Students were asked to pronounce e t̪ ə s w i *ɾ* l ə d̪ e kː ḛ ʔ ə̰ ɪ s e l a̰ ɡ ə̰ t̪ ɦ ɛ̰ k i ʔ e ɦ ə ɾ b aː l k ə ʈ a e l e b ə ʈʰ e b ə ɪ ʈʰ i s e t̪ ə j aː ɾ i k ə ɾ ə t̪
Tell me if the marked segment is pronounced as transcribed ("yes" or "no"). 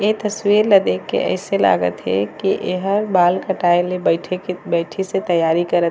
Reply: yes